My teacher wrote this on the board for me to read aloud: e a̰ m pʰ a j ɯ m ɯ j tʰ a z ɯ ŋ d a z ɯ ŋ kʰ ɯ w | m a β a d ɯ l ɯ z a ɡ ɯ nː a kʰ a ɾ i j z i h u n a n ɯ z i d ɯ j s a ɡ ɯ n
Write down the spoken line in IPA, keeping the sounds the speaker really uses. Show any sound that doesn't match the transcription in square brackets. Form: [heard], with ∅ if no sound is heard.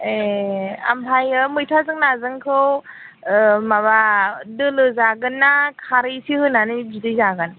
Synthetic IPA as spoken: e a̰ m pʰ a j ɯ m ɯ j tʰ a z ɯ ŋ [n] a z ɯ ŋ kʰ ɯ w | m a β a d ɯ l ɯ z a ɡ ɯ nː a kʰ a ɾ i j [s] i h [ɯ] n a n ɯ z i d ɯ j [z] a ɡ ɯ n